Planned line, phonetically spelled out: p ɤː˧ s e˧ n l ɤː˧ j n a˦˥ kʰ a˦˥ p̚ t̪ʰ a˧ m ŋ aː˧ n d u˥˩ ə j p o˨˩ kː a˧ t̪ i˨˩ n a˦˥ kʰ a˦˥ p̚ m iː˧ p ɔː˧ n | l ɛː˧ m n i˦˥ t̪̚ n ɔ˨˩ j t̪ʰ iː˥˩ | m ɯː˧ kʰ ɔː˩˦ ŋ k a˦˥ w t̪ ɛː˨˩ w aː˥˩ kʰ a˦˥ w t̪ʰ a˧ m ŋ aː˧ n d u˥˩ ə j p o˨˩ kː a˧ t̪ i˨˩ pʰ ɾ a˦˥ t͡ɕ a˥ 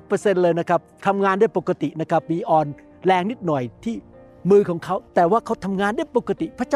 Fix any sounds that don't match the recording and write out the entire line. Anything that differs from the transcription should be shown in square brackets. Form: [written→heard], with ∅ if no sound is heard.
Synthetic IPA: p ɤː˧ s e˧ n l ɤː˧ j n a˦˥ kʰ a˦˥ p̚ t̪ʰ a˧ m ŋ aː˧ n d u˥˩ ə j p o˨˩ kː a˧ t̪ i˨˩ n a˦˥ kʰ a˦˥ p̚ m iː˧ [p→ʔ] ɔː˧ n | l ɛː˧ [m→ŋ] n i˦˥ t̪̚ n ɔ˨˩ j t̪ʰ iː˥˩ | m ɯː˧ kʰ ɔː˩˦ ŋ [k→kʰ] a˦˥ w t̪ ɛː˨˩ w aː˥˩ kʰ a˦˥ w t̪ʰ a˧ m ŋ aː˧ n d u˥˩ ə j p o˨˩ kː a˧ t̪ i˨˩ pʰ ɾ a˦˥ t͡ɕ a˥